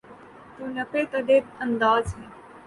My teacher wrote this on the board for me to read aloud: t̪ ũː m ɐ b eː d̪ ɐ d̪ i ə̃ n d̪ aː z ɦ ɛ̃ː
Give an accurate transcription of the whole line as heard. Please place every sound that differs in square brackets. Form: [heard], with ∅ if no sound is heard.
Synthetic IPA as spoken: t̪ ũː [n] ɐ [p] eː [t̪] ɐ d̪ [e] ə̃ n d̪ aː z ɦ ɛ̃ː